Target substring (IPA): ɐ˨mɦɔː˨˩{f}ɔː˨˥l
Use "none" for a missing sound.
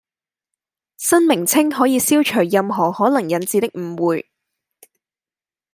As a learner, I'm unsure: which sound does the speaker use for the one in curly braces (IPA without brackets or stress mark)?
h